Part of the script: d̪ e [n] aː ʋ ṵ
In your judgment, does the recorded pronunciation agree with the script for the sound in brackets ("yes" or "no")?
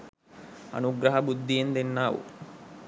no